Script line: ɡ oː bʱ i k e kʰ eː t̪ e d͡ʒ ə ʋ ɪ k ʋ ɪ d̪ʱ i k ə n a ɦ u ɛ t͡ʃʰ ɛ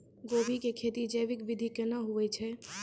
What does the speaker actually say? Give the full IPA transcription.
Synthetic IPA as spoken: ɡ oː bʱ i k e kʰ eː t̪ i d͡ʒ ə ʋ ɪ k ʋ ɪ d̪ʱ i k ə n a ɦ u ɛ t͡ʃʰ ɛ

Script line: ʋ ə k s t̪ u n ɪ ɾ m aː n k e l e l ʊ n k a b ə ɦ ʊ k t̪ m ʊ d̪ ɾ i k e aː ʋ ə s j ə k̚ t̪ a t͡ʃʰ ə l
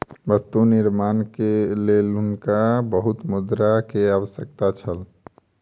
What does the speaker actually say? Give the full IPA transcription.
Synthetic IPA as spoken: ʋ ə s t̪ u n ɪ ɾ m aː n k e l e l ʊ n k a b ə ɦ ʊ t̪ m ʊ d̪ ɾ a k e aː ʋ ə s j ə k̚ t̪ a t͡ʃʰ ə l

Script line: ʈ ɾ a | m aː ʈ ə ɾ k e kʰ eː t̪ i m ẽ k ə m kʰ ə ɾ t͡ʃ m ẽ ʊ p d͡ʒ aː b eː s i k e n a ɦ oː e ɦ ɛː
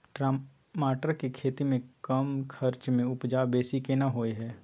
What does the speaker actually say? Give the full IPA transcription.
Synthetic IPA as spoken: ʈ ɾ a | m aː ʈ ə ɾ k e kʰ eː t̪ i m ẽ k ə m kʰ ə ɾ t͡ʃ m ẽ ʊ p d͡ʒ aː b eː s i k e n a ɦ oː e ɦ ɛː

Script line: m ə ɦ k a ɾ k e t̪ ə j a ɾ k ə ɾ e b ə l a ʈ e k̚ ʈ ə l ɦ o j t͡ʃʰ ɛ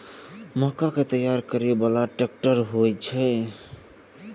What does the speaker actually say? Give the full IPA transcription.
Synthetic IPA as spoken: m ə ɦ k a k e t̪ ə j a ɾ k ə ɾ e b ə l a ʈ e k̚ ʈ ə ɾ ɦ o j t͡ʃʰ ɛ

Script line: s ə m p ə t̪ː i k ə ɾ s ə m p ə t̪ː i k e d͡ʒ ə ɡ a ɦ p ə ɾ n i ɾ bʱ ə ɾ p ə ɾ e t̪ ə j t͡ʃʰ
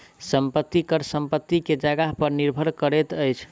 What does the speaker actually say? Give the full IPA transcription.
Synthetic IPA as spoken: s ə m p ə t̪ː i k ə ɾ s ə m p ə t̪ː i k e d͡ʒ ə ɡ a ɦ p ə ɾ n i ɾ bʱ ə ɾ k ə ɾ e t̪ ə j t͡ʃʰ

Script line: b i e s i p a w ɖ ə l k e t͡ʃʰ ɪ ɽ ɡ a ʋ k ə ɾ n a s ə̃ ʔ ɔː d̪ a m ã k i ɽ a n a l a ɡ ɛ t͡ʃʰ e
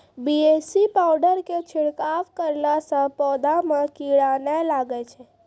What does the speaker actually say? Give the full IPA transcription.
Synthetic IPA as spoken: b i e s i p a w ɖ ə ɾ k e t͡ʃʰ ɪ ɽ k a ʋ k ə ɾ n a s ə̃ p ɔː d̪ a m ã k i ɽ a n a l a ɡ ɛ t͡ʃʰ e

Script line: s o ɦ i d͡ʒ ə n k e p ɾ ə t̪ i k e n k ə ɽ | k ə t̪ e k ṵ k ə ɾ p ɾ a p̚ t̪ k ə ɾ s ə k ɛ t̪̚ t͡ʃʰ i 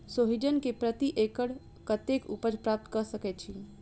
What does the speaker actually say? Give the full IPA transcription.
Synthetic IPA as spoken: s o ɦ i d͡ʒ ə n k e p ɾ ə t̪ i ʔ e k ə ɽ | k ə t̪ e k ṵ p ə ɾ p ɾ a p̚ t̪ k ə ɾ s ə k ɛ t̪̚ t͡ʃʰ i

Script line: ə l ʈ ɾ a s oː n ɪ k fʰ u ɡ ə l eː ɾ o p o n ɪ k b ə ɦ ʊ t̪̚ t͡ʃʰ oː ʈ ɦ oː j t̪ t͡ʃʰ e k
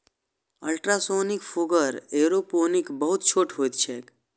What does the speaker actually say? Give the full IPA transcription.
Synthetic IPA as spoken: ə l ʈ ɾ a s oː n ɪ k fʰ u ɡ ə ɾ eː ɾ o p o n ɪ k b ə ɦ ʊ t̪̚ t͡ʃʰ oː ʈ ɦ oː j t̪ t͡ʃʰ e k

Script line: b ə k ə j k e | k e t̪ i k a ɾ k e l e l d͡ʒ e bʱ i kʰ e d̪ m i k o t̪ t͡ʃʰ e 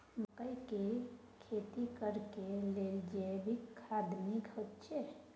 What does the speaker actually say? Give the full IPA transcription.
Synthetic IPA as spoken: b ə k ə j k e | kʰ e t̪ i k ə ɾ k e l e l d͡ʒ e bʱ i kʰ a d̪ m i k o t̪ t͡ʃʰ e

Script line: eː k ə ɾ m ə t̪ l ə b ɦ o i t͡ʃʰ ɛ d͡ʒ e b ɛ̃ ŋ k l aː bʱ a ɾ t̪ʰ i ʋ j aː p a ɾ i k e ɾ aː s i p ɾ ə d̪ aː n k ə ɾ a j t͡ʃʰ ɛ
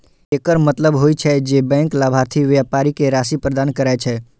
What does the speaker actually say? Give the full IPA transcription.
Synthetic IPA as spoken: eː k ə ɾ m ə t̪ l ə b ɦ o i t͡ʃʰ ɛ d͡ʒ e b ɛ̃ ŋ k l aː bʱ a ɾ t̪ʰ i ʋ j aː p a ɾ i k e ɾ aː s i p ɾ ə d̪ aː n k ə ɾ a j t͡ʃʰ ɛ

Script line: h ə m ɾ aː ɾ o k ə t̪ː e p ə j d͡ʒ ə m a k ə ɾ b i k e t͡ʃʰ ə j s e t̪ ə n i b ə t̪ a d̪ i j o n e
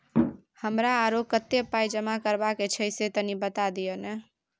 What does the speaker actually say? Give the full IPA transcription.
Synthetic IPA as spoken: h ə m ɾ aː ɾ o k ə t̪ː e p a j d͡ʒ ə m a k ə ɾ b a k e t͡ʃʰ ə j s e t̪ ə n i b ə t̪ a d̪ i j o n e

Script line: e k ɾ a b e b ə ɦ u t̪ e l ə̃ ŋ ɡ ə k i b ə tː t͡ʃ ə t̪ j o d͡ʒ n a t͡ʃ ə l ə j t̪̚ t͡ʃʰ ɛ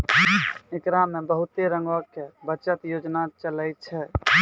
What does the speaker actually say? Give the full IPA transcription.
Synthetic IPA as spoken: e k ɾ a m e b ə ɦ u t̪ e ɾ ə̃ ŋ ɡ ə k e b ə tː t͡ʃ ə t̪ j o d͡ʒ n a t͡ʃ ə l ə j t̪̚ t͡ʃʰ ɛ

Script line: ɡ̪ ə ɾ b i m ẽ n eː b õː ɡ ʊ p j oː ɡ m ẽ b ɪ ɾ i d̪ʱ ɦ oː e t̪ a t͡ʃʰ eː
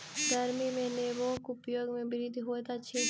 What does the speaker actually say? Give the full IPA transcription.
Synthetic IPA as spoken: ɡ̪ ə ɾ m i m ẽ n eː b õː k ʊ p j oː ɡ m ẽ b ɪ ɾ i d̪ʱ ɦ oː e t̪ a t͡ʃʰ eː

